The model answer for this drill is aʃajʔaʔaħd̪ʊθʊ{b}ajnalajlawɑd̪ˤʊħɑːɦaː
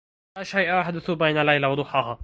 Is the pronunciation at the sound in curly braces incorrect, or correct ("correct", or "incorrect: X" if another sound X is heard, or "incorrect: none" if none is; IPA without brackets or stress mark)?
correct